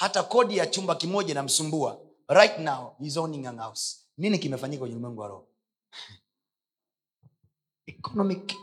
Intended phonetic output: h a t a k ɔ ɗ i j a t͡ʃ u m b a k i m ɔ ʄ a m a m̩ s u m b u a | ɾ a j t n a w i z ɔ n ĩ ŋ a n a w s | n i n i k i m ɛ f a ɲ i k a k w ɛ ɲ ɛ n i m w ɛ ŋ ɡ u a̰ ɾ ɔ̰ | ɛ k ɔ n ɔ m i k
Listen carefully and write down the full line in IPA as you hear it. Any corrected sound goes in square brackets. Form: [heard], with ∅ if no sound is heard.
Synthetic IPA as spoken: h a t a k ɔ ɗ i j a t͡ʃ u m b a k i m ɔ ʄ a [n] a m̩ s u m b u a | ɾ a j t n a w i z ɔ n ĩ ŋ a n a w s | n i n i k i m ɛ f a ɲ i k a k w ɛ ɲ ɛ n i m w ɛ ŋ ɡ u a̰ ɾ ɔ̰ | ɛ k ɔ n ɔ m i k